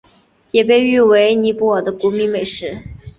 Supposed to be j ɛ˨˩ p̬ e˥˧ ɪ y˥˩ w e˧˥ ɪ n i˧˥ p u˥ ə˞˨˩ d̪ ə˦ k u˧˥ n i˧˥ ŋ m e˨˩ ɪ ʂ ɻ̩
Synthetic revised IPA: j ɛ˨˩ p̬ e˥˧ ɪ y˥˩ w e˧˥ ɪ n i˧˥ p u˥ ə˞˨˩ d̪ ə˦ k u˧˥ m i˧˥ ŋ m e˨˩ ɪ ʂ ɻ̩